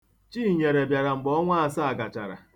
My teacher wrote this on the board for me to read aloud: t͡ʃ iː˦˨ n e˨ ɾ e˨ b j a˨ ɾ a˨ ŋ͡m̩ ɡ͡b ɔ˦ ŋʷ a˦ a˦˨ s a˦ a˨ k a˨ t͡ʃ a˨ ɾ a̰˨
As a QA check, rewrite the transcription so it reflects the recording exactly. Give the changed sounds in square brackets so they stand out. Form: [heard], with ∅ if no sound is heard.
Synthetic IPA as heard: t͡ʃ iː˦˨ [ɲ] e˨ ɾ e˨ b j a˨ ɾ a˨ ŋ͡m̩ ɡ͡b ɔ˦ ŋʷ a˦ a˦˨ s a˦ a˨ [ɡ] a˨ t͡ʃ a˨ ɾ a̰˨